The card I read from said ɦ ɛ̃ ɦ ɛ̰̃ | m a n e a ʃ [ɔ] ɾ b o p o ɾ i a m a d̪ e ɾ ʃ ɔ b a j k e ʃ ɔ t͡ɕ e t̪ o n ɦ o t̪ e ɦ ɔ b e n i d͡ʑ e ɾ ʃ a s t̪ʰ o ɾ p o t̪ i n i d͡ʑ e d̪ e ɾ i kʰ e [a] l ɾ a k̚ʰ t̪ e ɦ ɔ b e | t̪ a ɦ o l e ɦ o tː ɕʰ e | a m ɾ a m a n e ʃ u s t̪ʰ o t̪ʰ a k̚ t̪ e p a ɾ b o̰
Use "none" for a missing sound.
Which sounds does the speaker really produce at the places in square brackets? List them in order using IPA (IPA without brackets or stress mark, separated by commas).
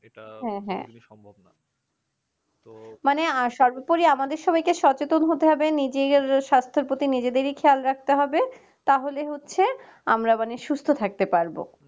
ɔ, a